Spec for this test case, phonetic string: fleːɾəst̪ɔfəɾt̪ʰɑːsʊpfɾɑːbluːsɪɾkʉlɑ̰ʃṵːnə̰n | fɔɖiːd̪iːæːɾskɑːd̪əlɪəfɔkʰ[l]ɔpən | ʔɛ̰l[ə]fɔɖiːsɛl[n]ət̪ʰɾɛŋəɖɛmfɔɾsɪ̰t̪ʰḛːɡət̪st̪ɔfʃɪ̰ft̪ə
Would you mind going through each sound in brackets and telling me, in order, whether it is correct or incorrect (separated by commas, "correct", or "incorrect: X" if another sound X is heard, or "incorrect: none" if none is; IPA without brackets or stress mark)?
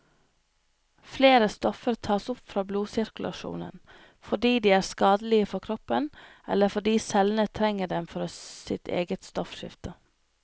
incorrect: ɾ, correct, correct